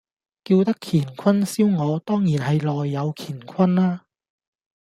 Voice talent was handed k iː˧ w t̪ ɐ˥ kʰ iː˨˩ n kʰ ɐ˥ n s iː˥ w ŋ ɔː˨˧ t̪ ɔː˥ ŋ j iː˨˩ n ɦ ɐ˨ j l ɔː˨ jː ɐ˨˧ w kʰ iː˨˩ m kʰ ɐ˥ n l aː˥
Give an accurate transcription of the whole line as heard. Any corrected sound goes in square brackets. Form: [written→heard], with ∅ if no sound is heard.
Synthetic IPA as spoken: k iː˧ w t̪ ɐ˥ kʰ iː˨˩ n kʰ ɐ˥ n s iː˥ w ŋ ɔː˨˧ t̪ ɔː˥ ŋ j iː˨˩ n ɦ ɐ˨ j l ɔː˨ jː ɐ˨˧ w kʰ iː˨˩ [m→n] kʰ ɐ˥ n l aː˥